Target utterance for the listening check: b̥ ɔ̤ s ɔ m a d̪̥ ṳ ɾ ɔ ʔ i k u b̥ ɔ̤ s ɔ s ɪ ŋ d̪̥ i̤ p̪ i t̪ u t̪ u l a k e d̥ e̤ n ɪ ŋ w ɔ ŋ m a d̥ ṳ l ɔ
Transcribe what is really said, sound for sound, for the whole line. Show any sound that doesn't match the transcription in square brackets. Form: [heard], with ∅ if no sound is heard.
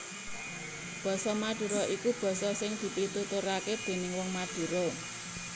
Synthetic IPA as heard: b̥ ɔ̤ s ɔ m a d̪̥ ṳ ɾ ɔ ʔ i k u b̥ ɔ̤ s ɔ s ɪ ŋ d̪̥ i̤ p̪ i t̪ u t̪ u [ɾ] a k e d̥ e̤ n ɪ ŋ w ɔ ŋ m a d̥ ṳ [ɾ] ɔ